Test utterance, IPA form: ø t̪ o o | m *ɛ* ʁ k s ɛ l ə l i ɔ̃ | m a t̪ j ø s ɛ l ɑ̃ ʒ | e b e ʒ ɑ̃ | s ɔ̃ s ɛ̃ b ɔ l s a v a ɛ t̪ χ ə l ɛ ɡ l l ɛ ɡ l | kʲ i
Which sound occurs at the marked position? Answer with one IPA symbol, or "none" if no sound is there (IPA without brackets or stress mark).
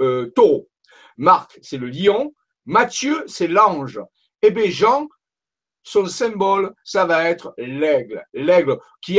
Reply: a